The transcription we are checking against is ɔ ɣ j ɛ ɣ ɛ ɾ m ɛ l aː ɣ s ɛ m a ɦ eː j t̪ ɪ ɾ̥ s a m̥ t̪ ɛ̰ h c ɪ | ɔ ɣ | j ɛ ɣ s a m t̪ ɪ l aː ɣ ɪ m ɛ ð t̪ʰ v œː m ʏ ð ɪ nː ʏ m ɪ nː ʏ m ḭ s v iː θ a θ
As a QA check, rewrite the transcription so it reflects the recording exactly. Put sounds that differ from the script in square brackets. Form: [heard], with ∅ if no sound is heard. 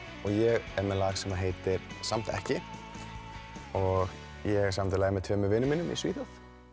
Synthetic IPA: ɔ ɣ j ɛ ɣ ɛ ɾ m ɛ l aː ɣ s ɛ m a ɦ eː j t̪ ɪ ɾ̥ s a m̥ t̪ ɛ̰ h c ɪ | ɔ ɣ | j ɛ ɣ s a m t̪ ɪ l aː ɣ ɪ m ɛ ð t̪ʰ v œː m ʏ [v] ɪ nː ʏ m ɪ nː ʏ m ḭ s v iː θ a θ